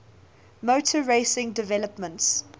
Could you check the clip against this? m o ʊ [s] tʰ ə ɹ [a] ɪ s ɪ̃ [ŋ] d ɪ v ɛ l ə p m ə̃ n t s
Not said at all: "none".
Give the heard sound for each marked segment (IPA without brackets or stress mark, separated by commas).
none, e, ŋ